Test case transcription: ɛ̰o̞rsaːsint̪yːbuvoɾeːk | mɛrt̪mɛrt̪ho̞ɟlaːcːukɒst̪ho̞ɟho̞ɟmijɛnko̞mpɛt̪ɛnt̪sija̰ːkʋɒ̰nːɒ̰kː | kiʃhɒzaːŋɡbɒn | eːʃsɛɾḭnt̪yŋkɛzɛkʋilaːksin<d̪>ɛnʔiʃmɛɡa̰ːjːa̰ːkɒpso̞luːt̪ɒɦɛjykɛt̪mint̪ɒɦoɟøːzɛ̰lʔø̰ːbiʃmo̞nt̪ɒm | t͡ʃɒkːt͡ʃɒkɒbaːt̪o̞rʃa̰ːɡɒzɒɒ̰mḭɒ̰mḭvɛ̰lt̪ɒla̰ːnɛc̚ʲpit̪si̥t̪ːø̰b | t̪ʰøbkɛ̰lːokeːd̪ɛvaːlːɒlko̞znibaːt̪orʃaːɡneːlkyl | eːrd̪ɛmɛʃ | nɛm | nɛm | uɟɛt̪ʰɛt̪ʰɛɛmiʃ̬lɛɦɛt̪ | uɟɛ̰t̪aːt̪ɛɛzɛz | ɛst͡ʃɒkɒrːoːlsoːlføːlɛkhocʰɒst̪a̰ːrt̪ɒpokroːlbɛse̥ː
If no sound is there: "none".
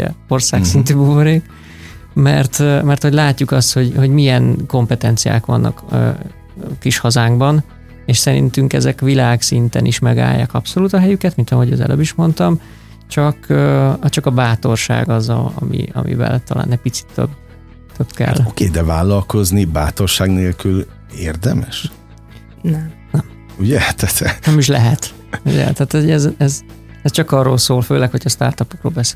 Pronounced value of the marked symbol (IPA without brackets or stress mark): t̪